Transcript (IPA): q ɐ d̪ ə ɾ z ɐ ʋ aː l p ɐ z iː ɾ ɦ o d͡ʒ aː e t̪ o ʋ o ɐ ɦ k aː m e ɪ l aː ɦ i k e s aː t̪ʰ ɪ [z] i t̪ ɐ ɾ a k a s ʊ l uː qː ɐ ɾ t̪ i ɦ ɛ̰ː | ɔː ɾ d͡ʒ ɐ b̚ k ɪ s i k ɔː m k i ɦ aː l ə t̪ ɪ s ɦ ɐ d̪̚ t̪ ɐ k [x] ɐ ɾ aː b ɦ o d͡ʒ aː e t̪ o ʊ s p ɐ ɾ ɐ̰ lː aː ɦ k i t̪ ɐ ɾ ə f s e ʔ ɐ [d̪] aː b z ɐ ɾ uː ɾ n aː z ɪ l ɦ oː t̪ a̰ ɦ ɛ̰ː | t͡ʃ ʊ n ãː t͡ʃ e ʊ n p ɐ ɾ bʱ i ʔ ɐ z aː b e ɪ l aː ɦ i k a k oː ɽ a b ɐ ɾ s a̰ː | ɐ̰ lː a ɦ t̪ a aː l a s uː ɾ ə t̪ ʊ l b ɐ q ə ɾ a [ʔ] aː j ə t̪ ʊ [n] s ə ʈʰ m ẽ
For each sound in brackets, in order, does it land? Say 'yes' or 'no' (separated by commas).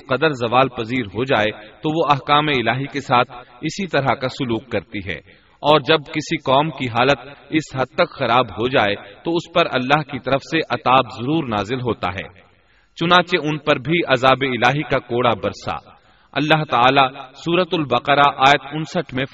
no, yes, no, yes, yes